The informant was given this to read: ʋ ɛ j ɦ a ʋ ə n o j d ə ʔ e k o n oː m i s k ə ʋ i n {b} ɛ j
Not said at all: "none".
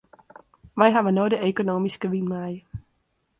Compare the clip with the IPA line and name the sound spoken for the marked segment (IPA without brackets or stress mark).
m